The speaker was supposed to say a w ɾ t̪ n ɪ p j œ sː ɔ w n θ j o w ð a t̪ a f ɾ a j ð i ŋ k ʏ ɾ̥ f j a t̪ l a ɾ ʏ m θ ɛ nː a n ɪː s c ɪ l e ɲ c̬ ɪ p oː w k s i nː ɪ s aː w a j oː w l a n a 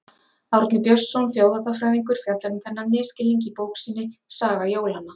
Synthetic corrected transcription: a w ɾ t̪ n ɪ p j œ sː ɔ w n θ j o w ð a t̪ a f ɾ a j ð i ŋ k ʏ ɾ̥ f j a t̪ l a ɾ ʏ m θ ɛ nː a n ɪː s c ɪ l i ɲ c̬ ɪ p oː w k s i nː ɪ s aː ɣ a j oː w l a n a